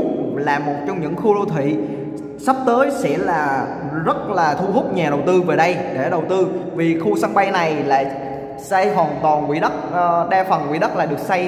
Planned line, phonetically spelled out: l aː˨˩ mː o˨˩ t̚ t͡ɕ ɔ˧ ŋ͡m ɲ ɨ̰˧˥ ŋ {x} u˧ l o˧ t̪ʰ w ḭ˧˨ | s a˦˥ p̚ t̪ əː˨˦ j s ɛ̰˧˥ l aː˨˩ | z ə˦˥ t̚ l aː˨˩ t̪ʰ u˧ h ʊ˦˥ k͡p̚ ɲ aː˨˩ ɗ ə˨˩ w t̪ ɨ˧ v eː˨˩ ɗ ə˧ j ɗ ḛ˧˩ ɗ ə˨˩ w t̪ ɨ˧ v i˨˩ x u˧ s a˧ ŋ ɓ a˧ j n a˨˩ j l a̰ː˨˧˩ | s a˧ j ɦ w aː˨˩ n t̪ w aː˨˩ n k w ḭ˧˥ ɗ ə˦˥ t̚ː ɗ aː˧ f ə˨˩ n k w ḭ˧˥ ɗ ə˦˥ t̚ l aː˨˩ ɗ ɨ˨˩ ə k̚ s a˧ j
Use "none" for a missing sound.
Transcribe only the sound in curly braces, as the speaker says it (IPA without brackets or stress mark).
x